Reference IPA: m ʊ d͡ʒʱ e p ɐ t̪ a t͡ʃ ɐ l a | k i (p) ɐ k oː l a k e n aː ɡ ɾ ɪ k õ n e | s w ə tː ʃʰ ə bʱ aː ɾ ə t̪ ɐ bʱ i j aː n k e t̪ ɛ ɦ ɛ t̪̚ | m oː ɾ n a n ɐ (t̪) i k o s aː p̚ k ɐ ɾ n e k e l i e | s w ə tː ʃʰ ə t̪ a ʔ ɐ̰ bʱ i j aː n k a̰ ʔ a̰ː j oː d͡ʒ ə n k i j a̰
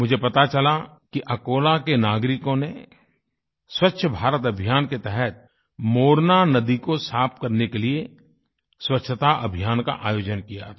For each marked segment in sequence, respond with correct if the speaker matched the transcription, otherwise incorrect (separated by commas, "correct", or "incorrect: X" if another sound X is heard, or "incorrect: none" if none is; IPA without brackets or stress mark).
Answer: incorrect: ʔ, incorrect: d̪